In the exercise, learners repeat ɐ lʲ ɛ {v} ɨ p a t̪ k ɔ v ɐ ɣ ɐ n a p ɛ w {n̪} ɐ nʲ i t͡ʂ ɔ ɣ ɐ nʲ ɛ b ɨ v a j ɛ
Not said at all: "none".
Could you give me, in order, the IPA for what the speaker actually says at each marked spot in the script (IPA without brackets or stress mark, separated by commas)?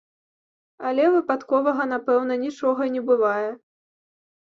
v, n̪